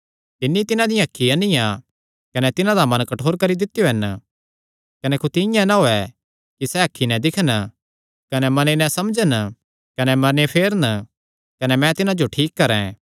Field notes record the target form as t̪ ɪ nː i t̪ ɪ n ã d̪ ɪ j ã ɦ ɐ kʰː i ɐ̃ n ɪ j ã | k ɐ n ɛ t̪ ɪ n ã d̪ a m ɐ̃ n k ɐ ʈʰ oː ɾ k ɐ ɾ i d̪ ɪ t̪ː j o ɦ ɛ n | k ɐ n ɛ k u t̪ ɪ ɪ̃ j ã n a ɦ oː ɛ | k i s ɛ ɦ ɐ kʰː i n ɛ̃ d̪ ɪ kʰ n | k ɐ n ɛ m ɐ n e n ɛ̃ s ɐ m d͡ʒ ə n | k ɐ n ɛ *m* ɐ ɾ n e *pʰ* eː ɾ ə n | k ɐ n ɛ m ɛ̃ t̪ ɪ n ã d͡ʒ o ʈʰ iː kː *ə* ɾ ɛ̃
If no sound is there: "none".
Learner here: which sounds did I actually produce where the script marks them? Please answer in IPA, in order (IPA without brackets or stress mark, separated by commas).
m, pʰ, ɐ